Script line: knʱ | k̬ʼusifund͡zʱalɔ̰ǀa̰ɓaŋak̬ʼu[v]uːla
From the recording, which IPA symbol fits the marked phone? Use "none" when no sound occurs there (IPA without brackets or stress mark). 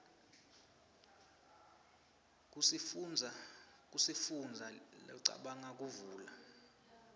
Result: v